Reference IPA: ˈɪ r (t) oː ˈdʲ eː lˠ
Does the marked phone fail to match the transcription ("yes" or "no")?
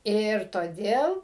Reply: no